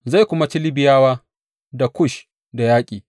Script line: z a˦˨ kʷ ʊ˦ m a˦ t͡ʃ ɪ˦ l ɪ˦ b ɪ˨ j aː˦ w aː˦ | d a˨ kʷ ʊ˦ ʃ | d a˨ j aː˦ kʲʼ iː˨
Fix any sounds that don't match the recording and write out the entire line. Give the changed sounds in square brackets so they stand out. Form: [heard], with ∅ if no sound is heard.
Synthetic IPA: z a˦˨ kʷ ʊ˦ m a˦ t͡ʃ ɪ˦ l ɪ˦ b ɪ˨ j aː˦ w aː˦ | d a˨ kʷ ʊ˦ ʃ | d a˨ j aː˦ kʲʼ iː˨

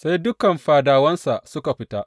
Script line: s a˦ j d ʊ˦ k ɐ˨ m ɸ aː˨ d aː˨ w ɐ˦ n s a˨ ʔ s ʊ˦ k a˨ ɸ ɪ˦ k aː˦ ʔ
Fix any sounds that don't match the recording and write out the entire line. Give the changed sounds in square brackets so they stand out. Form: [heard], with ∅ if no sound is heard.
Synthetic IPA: s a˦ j d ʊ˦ k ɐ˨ m ɸ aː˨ d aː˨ w ɐ˦ n s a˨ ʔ s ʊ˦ k a˨ ɸ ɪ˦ [t] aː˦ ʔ

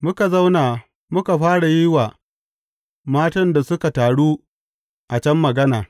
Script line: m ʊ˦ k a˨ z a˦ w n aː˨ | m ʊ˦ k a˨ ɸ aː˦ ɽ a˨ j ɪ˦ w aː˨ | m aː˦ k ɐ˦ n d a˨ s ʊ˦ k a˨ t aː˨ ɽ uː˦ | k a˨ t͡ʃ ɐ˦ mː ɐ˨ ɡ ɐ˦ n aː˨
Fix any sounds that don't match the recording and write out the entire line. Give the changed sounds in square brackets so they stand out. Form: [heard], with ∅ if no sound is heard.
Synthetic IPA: m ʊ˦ k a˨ z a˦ w n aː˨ | m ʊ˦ k a˨ ɸ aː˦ ɽ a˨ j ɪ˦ w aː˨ | m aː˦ [t] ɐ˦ n d a˨ s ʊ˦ k a˨ t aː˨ ɽ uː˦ | [ʔ] a˨ t͡ʃ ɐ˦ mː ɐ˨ ɡ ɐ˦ n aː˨

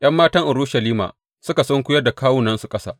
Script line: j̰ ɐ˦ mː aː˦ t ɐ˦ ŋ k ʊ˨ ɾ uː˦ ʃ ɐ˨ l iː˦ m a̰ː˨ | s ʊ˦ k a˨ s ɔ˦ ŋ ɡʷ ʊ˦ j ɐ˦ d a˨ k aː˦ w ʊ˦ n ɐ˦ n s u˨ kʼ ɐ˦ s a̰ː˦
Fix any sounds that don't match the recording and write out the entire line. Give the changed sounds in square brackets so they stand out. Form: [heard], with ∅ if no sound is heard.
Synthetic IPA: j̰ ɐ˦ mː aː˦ t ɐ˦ ŋ [ʔ] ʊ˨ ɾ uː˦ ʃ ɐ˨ l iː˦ m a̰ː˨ | s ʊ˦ k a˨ s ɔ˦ ŋ [kʷ] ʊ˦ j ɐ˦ d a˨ k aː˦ w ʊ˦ n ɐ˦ n s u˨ kʼ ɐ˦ s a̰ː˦

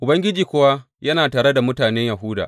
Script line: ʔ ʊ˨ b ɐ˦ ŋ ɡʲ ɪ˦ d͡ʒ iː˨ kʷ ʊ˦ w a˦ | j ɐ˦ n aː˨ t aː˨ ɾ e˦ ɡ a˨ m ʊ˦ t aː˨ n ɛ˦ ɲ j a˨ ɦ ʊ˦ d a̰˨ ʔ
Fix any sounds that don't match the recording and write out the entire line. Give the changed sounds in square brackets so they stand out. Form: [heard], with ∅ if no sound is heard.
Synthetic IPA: ʔ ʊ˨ b ɐ˦ ŋ ɡʲ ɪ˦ d͡ʒ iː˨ kʷ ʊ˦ w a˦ | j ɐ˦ n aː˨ t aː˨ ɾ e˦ [d] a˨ m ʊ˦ t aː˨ n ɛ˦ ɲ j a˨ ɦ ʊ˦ d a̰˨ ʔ

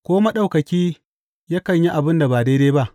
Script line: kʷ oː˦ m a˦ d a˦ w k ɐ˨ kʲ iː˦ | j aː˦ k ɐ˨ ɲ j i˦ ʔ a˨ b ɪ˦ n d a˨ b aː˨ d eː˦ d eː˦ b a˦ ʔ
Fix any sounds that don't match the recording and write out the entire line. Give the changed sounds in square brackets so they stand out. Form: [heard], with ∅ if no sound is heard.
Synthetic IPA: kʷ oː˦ m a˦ [ɗ] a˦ w k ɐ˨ kʲ iː˦ | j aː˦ k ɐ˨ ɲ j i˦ ʔ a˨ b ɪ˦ n d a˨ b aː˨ d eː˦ d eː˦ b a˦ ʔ

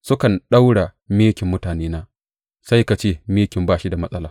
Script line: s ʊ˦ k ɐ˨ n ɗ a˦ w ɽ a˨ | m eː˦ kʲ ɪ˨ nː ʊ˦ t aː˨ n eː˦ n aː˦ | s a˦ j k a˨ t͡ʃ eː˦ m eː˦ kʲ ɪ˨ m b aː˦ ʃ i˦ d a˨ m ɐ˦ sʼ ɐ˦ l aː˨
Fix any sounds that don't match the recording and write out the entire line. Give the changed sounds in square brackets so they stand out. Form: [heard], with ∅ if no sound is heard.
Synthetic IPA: s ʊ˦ k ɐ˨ n ɗ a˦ w ɽ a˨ | m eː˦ kʲ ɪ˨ [mː] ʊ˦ t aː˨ n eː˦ n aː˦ | s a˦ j k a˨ t͡ʃ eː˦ m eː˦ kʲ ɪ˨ m b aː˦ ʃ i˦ d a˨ m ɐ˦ sʼ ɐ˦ l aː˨

